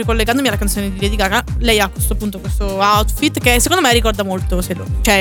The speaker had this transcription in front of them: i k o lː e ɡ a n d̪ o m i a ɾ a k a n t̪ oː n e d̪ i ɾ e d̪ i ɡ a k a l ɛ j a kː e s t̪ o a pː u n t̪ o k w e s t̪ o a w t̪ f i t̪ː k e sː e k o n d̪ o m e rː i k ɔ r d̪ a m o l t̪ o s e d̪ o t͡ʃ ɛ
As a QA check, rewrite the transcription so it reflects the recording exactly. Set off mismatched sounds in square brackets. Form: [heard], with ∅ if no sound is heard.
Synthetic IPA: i k o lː e ɡ a n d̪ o m i a [l] a k a n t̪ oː n e d̪ i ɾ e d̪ i ɡ a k a l ɛ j a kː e s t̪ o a pː u n t̪ o k w e s t̪ o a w t̪ f i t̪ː k e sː e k o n d̪ o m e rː i k ɔ r d̪ a m o l t̪ o s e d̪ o t͡ʃ ɛ